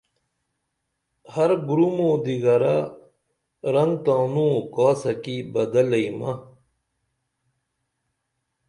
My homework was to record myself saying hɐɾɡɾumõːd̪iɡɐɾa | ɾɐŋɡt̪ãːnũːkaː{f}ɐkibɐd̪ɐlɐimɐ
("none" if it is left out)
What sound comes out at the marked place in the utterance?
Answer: s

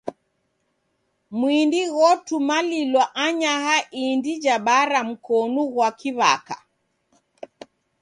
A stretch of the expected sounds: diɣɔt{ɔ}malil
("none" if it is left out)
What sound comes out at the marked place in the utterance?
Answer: u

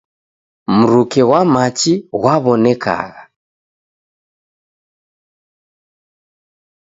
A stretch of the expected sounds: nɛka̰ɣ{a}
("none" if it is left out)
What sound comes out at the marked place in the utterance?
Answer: a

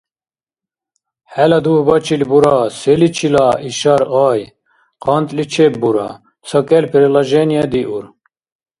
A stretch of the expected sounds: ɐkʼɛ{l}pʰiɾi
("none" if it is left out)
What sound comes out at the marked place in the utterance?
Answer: l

